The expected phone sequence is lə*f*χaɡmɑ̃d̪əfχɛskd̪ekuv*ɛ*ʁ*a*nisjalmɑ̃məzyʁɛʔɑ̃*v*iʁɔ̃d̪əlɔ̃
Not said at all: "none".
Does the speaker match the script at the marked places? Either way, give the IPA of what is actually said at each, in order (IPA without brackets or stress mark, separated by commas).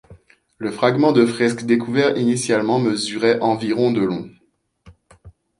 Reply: f, ɛ, i, v